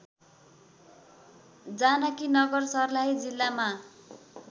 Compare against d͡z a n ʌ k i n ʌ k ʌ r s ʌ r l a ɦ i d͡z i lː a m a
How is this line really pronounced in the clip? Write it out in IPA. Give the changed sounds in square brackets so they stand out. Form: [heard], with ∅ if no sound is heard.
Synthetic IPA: d͡z a n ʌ k i n ʌ [ɡ] ʌ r s ʌ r l a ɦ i d͡z i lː a m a